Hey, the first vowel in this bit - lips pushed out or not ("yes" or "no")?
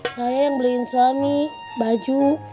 no